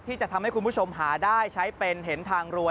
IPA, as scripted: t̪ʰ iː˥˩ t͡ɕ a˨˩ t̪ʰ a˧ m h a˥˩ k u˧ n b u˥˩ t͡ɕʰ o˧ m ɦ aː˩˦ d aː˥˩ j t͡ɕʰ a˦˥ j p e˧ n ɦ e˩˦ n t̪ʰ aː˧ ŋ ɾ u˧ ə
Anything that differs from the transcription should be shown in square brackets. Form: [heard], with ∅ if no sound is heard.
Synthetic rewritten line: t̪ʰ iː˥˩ t͡ɕ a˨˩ t̪ʰ a˧ m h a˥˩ k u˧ n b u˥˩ t͡ɕʰ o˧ m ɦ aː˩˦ d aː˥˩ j t͡ɕʰ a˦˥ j p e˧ n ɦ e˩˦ n t̪ʰ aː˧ ŋ ɾ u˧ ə